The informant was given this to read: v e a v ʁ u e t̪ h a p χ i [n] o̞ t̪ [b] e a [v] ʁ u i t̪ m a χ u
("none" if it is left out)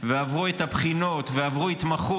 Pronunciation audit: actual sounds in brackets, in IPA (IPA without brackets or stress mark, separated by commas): n, v, v